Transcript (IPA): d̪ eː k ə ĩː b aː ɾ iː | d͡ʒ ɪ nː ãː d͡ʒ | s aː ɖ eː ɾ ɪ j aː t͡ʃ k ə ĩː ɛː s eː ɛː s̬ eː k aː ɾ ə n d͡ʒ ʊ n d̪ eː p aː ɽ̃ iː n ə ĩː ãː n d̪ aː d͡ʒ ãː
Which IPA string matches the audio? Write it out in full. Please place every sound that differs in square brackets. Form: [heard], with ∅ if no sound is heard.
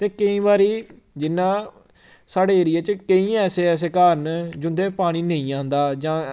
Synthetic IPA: [t̪] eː k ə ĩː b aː ɾ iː | d͡ʒ ɪ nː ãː [∅] | s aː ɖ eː ɾ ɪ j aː t͡ʃ k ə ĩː ɛː s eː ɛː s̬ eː k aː ɾ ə n d͡ʒ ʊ n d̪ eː p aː ɽ̃ iː n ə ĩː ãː n d̪ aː d͡ʒ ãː